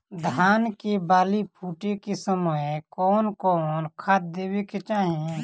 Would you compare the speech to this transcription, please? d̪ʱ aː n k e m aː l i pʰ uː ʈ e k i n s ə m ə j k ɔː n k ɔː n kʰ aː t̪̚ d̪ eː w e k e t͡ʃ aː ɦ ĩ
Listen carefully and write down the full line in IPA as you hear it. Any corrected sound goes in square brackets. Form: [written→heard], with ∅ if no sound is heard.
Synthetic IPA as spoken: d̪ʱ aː n k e [m→b] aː l i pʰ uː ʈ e k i [n→∅] s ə m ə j k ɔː n k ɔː n kʰ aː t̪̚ d̪ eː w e k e t͡ʃ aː ɦ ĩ